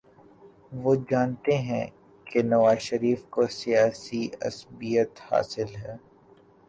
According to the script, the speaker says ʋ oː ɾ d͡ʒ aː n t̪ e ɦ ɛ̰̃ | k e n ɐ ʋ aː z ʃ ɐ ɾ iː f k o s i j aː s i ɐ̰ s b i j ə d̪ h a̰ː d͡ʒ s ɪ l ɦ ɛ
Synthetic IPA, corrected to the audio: ʋ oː d͡ʒ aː n t̪ e ɦ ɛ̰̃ | k e n ɐ ʋ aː z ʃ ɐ ɾ iː f k o s i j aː s i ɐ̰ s b i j ə t̪ h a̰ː s ɪ l ɦ ɛː